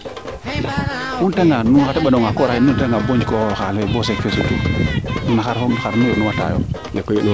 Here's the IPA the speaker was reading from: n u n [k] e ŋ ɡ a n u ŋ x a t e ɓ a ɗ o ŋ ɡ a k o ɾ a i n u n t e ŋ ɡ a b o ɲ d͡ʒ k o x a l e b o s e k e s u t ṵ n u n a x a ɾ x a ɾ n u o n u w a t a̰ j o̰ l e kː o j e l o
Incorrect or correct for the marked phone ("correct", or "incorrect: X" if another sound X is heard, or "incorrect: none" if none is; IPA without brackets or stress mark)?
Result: incorrect: t